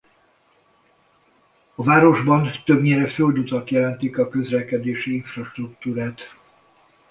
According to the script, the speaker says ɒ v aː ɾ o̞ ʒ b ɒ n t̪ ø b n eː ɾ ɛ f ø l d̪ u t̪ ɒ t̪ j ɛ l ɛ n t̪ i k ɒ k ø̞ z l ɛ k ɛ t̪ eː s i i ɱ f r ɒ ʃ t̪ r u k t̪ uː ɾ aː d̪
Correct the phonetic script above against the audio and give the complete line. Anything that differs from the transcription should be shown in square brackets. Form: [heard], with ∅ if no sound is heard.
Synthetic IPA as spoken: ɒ v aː ɾ o̞ ʒ b ɒ n t̪ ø b [ɲ] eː ɾ ɛ f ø l d̪ u t̪ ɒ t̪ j ɛ l ɛ n t̪ i k ɒ k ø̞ z l ɛ k ɛ [d̪] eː [ʃ] i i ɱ f r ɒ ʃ t̪ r u k t̪ uː ɾ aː [t̪]